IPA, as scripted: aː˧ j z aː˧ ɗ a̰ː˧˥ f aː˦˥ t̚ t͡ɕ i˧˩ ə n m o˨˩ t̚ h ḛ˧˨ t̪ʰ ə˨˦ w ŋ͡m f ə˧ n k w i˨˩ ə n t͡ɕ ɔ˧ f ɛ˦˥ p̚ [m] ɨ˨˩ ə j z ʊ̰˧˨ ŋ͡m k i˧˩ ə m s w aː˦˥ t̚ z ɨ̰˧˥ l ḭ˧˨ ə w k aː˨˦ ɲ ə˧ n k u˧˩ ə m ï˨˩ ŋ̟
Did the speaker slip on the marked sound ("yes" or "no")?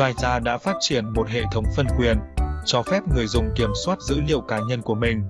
yes